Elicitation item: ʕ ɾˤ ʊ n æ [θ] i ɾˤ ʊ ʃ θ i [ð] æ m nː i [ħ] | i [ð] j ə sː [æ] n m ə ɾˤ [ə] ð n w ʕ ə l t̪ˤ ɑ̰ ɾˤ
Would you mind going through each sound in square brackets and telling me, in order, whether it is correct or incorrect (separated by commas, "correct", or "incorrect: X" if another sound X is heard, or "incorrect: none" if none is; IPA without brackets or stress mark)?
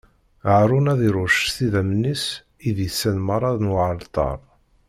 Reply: incorrect: ð, correct, incorrect: s, correct, correct, incorrect: ɑ